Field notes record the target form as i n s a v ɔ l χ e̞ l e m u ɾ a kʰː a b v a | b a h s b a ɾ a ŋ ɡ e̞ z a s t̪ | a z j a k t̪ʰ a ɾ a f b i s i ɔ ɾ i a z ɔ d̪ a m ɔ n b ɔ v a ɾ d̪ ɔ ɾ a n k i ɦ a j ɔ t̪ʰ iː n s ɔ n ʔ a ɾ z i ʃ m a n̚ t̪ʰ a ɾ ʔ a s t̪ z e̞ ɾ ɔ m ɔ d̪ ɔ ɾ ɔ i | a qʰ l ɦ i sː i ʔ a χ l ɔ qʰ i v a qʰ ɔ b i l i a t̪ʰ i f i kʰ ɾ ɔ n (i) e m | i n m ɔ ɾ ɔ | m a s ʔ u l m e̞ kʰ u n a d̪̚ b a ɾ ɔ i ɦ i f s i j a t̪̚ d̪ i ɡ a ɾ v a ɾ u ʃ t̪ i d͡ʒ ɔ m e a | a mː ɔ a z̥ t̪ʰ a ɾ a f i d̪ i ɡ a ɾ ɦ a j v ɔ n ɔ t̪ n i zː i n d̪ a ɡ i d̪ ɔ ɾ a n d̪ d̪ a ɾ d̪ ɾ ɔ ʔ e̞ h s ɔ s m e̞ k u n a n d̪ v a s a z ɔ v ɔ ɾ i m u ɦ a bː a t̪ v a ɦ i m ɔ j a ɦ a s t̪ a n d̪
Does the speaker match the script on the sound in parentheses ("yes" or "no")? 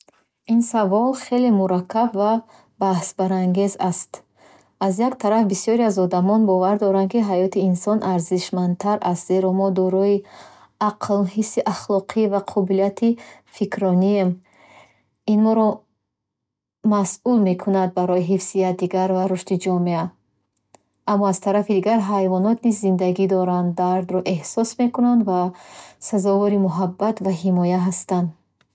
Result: yes